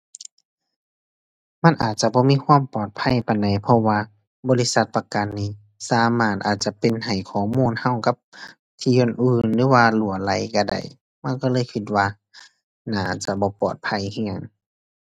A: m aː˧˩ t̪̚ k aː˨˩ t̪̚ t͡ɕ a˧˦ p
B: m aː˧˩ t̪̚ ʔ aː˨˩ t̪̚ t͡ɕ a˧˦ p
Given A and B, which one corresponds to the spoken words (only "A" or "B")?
B